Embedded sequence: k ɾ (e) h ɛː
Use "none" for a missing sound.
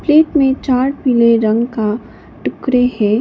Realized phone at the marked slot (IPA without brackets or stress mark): e